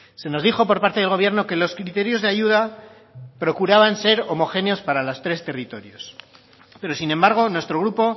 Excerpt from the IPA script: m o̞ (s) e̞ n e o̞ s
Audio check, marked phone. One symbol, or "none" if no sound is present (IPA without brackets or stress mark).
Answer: x